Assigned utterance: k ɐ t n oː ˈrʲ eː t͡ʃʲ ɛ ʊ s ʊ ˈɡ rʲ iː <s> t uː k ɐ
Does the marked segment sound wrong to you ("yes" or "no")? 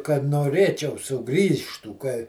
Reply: yes